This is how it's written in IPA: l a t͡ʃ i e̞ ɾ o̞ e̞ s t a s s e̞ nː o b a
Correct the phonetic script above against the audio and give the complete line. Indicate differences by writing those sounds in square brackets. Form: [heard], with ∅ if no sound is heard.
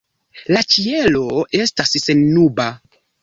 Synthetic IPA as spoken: l a t͡ʃ i e̞ [l] o̞ e̞ s t a s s e̞ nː [u] b a